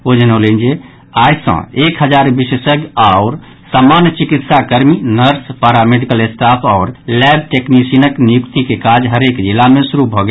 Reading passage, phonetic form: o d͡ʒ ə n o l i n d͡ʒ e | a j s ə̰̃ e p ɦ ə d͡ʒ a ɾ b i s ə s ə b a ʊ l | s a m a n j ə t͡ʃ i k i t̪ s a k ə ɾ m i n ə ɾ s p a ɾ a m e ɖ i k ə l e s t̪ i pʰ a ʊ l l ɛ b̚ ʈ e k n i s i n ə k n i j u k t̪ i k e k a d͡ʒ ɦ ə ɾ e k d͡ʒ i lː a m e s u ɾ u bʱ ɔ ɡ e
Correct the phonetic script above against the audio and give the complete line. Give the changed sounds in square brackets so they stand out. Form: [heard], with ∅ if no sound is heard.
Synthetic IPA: o d͡ʒ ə n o l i n d͡ʒ e | a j s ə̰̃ e [k] ɦ ə d͡ʒ a ɾ b i s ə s ə [ɡ] a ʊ [ɾ] | s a m a n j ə t͡ʃ i k i t̪ s a k ə ɾ m i n ə ɾ s p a ɾ a m e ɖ i k ə l e s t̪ [a] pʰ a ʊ [ɾ] l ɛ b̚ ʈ e k n i s i n ə k n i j u k t̪ i k e k a d͡ʒ ɦ ə ɾ e k d͡ʒ i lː a m e s u ɾ u bʱ ɔ ɡ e